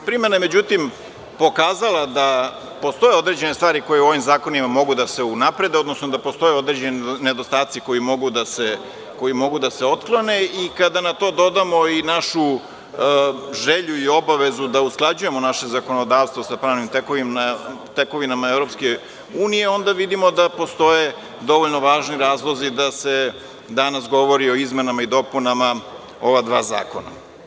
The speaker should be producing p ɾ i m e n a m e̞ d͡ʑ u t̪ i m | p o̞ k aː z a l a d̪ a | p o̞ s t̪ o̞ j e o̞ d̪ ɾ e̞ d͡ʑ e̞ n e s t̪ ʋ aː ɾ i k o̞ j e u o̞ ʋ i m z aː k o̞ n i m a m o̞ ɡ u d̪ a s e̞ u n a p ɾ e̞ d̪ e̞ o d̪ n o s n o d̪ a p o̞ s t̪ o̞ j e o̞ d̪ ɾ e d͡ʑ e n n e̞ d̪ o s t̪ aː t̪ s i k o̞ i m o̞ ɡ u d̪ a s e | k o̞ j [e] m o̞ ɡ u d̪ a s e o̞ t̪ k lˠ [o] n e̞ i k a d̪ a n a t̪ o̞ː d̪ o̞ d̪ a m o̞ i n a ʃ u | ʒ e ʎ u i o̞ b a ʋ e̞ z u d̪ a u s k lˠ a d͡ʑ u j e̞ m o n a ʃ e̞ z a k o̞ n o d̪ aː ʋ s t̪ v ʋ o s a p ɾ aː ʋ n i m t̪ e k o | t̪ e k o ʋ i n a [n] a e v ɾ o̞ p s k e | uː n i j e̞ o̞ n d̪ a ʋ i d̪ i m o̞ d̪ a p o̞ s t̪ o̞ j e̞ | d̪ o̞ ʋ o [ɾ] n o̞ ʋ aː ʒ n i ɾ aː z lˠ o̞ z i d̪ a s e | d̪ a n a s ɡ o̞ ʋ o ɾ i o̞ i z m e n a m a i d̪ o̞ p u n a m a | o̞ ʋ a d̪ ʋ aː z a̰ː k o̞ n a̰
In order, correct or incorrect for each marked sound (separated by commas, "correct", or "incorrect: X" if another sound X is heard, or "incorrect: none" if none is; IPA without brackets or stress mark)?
incorrect: i, correct, incorrect: m, incorrect: ʎ